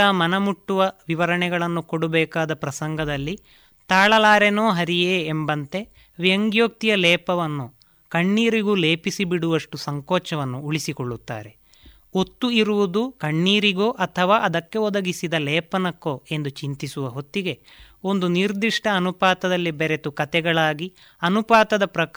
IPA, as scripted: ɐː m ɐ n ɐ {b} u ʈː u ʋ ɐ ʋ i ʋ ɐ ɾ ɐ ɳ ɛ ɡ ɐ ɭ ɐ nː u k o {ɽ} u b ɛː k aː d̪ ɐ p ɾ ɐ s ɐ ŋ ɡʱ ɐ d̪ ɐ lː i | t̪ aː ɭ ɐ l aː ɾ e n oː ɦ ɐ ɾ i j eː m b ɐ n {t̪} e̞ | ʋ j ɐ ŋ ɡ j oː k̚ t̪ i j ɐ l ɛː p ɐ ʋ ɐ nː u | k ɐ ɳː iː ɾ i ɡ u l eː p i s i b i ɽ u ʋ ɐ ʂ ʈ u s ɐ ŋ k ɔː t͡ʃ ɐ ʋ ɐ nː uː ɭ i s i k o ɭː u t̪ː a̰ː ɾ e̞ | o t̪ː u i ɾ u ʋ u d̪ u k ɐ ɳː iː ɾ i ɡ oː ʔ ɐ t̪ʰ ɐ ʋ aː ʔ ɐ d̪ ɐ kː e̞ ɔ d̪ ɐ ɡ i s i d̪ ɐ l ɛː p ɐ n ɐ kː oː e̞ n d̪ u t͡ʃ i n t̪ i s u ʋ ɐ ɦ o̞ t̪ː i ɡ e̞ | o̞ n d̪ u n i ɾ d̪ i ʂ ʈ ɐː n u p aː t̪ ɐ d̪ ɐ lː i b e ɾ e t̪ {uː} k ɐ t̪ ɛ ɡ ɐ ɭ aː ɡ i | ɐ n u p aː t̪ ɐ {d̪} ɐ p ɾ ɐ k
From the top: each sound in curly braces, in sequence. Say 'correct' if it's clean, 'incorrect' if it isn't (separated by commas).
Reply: incorrect, correct, correct, incorrect, correct